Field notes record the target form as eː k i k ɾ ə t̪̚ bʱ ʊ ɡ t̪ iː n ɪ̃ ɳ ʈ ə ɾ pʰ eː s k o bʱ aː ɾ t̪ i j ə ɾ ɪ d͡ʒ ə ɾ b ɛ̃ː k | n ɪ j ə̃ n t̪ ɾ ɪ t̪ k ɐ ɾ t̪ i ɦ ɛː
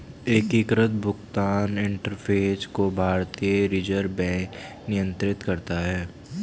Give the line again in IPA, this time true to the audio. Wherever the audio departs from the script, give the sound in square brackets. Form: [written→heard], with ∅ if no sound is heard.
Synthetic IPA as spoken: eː k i k ɾ ə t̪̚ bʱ ʊ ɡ t̪ [iː→aː] n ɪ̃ ɳ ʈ ə ɾ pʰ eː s k o bʱ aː ɾ t̪ i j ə ɾ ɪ d͡ʒ ə ɾ b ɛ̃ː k | n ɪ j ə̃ n t̪ ɾ ɪ t̪ k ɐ ɾ t̪ [i→a] ɦ ɛː